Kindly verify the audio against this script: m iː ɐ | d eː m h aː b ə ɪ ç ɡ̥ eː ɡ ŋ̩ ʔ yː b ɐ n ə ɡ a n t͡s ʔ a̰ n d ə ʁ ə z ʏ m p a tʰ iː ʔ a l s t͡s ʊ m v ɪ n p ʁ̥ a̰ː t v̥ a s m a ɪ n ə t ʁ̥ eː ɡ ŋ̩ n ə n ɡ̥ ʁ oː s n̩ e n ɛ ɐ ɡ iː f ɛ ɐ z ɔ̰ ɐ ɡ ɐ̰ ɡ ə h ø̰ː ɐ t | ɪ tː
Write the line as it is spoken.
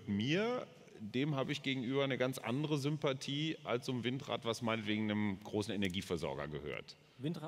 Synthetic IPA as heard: m iː ɐ | d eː m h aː b ə ɪ ç ɡ̥ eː ɡ ŋ̩ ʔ yː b ɐ n ə ɡ a n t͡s ʔ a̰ n d ə ʁ ə z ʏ m p a tʰ iː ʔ a l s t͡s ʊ m v ɪ n t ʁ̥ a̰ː t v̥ a s m a ɪ n ə t v̥ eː ɡ ŋ̩ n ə m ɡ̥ ʁ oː s n̩ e n ɛ ɐ ɡ iː f ɛ ɐ z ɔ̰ ɐ ɡ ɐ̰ ɡ ə h ø̰ː ɐ t | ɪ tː